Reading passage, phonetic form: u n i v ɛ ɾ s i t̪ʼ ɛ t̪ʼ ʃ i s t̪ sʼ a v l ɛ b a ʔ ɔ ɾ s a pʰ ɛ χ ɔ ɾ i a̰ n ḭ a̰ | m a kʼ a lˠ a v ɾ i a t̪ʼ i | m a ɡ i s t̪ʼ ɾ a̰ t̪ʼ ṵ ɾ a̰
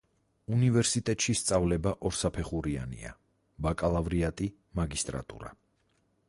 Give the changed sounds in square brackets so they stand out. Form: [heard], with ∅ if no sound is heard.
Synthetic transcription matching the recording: u n i v ɛ ɾ s i t̪ʼ ɛ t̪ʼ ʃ i s t̪ sʼ a v l ɛ b a ʔ ɔ ɾ s a pʰ ɛ χ [u] ɾ i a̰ n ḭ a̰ | [b] a kʼ a lˠ a v ɾ i a t̪ʼ i | m a ɡ i s t̪ʼ ɾ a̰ t̪ʼ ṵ ɾ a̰